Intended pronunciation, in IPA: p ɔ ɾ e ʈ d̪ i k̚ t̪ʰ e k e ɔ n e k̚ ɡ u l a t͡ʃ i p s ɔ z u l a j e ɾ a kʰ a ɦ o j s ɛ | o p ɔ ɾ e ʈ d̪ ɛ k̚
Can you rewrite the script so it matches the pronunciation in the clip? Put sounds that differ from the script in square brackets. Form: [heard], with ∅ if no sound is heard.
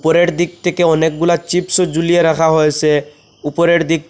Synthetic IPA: p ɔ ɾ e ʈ d̪ i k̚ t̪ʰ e k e ɔ n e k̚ ɡ u l a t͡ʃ i p s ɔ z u l [i] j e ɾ a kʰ a ɦ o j s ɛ | [u] p ɔ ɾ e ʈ d̪ [i] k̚